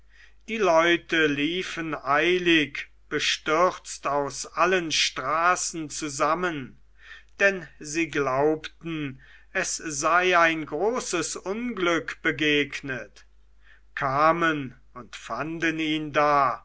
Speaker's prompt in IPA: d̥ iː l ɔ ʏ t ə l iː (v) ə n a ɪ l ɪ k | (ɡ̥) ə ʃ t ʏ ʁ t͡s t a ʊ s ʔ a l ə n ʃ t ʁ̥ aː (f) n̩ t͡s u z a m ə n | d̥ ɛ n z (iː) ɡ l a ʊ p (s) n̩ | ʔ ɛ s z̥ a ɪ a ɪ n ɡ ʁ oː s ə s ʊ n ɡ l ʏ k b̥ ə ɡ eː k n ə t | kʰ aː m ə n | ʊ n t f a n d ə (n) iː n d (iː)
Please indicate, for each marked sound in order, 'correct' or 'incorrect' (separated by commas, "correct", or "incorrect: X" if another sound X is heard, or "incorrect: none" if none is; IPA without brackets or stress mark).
incorrect: f, incorrect: b̥, incorrect: s, correct, incorrect: t, correct, incorrect: aː